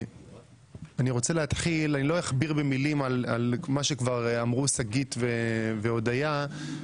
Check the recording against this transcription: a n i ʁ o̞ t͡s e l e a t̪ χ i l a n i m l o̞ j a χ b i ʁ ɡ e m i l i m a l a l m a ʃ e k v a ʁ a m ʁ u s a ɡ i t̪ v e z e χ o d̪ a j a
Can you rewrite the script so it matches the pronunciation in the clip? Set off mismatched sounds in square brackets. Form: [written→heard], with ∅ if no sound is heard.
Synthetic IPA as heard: a n i ʁ o̞ t͡s e l e a t̪ χ i l a n i [m→∅] l o̞ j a χ b i ʁ [ɡ→b] e m i l i m a l a l m a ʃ e k v a ʁ a m ʁ u s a ɡ i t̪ v e [z→v] e [χ→∅] o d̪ a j a